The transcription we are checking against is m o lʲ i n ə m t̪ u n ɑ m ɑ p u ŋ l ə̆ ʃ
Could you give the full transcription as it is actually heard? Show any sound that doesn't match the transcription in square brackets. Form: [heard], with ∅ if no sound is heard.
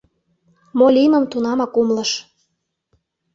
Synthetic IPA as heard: m o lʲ i [m] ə m t̪ u n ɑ m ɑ [k] u [m] l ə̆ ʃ